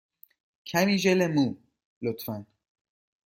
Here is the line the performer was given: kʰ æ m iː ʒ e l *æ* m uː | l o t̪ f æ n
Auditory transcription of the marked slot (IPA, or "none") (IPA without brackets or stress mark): e